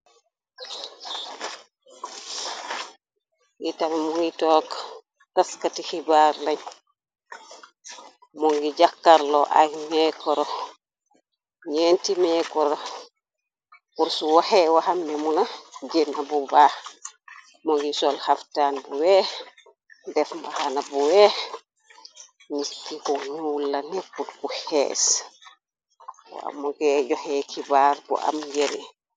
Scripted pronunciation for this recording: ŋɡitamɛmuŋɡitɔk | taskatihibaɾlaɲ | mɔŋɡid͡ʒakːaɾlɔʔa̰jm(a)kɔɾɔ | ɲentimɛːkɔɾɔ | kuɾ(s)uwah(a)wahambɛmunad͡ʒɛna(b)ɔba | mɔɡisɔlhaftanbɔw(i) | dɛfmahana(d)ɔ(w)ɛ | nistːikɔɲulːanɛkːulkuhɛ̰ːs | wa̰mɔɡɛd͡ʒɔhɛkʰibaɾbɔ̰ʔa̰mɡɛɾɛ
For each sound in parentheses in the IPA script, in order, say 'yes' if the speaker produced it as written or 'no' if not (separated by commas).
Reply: no, yes, no, yes, no, no, yes